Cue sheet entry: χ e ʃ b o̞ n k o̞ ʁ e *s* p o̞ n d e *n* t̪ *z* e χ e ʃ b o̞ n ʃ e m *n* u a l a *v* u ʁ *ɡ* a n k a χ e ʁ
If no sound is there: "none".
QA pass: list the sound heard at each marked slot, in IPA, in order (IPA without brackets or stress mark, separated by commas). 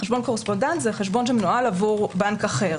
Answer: s, n, z, n, v, b